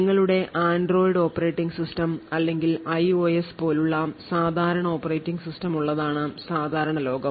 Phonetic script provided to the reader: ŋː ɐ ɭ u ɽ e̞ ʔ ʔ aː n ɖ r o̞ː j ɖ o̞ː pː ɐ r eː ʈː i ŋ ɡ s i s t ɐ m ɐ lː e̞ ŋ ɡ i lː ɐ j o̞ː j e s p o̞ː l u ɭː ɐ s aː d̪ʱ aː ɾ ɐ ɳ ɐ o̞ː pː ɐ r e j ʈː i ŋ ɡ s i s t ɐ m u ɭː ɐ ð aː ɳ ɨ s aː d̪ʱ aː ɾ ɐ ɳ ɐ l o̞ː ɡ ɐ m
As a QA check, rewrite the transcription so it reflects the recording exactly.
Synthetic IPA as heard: ŋː ɐ ɭ u ɽ e̞ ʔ ʔ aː n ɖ r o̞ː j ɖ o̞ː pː ɐ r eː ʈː i ŋ ɡ s i s t ɐ m ɐ lː e̞ ŋ ɡ i l ɐ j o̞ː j e s p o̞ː l u ɭː ɐ s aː d̪ʱ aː ɾ ɐ ɳ ɐ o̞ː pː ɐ r e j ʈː i ŋ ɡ s i s t ɐ m u ɭː ɐ ð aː ɳ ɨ s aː d̪ʱ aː ɾ ɐ ɳ ɐ l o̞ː ɡ ɐ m